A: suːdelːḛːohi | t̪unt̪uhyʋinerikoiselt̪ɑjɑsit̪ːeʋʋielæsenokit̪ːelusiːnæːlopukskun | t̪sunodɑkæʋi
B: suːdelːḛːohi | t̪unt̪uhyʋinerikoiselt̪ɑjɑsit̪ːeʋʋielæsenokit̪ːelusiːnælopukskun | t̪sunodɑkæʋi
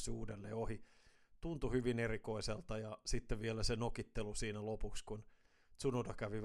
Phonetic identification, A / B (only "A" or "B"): B